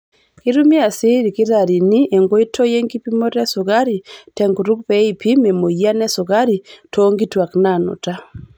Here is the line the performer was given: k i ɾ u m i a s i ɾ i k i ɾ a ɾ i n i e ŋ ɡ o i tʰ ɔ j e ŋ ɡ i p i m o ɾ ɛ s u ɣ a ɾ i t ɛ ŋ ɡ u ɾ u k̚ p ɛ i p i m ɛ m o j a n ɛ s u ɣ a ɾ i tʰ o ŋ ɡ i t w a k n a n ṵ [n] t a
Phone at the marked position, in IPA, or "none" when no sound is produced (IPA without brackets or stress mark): none